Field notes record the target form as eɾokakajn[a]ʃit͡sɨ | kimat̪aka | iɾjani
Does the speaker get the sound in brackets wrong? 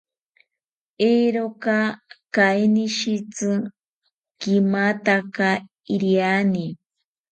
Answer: yes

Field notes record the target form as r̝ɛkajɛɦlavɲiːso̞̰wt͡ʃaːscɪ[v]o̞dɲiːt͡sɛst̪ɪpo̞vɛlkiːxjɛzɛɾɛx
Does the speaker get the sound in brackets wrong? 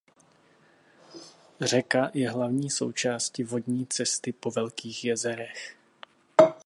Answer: no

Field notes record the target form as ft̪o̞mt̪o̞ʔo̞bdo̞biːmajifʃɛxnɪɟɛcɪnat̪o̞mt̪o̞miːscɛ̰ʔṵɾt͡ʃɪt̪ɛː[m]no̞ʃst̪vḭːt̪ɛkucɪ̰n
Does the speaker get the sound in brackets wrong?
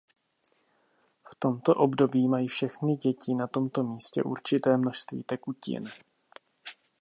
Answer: no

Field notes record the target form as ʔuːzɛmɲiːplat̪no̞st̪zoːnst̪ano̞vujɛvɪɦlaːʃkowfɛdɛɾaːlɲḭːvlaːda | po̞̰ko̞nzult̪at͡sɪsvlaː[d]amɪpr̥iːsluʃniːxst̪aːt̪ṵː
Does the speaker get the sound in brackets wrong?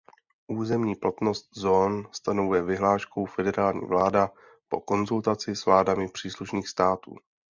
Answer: no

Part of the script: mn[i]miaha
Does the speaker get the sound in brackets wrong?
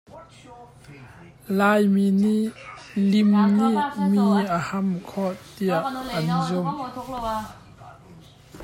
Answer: no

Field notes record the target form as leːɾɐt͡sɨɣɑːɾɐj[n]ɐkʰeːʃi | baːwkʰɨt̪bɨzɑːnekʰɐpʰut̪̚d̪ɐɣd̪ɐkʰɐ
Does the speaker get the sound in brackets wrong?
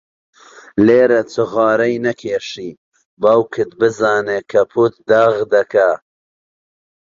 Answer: no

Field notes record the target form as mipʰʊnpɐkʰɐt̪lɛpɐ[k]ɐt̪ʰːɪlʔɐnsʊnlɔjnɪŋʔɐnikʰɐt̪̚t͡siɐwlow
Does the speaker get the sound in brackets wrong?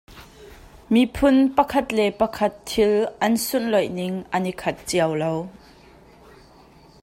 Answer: yes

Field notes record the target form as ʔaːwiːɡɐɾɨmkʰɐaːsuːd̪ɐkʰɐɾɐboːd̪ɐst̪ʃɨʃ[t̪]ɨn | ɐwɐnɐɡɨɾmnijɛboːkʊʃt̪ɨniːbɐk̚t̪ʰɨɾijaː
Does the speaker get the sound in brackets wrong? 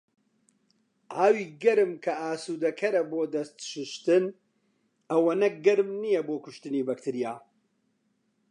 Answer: no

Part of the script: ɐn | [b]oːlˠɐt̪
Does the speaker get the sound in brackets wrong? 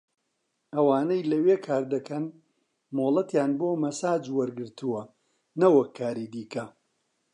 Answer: yes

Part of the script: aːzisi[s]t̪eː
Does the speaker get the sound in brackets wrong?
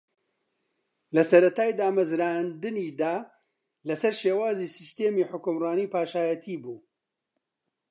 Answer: no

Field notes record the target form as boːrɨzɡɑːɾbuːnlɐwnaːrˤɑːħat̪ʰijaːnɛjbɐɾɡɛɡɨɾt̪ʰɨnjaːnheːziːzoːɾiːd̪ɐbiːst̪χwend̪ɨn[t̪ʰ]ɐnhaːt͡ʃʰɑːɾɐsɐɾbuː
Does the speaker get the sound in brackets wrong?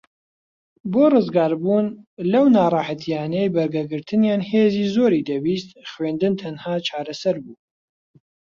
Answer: no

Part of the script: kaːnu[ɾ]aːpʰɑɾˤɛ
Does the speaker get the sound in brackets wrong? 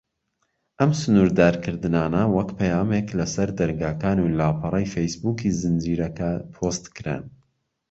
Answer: yes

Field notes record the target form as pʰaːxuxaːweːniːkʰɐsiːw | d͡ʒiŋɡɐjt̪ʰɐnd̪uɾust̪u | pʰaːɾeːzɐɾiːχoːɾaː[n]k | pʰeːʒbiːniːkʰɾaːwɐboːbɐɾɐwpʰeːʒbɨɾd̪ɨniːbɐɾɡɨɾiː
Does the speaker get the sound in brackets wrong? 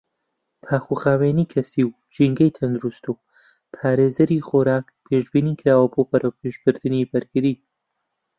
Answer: yes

